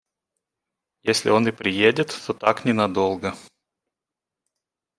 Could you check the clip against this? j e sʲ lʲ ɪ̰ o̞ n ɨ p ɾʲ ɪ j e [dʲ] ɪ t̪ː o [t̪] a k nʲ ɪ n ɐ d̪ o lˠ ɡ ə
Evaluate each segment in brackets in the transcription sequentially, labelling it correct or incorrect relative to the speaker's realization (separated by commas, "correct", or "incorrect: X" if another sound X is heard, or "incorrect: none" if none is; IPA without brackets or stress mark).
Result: correct, correct